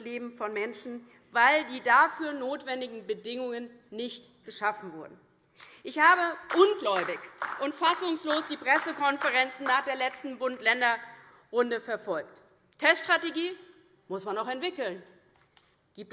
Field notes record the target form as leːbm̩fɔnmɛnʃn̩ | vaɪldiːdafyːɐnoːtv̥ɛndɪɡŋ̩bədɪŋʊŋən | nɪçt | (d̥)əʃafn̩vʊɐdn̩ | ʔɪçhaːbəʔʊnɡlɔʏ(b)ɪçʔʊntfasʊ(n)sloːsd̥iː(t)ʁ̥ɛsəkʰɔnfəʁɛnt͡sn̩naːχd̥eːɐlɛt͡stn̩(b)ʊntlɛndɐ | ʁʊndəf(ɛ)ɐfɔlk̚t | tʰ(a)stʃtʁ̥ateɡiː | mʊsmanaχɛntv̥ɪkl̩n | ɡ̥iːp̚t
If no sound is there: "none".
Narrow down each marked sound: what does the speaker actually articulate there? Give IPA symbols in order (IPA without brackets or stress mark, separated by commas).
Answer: ɡ̥, b, ŋ, p, b, ɛ, ɛ